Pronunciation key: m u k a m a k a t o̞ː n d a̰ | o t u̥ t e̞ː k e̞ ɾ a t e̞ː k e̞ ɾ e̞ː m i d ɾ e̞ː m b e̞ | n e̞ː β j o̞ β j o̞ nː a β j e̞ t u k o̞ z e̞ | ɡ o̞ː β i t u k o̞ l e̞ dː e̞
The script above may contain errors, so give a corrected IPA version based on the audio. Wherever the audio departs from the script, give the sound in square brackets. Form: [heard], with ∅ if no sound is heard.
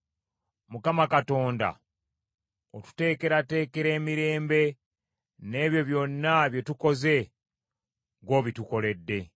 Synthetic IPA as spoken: m u k a m a k a t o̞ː n d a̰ | o t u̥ t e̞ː k e̞ ɾ a t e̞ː k e̞ ɾ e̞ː m i [∅] ɾ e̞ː m b e̞ | n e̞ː β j o̞ β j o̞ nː a β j e̞ t u k o̞ z e̞ | ɡ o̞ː β i t u k o̞ l e̞ dː e̞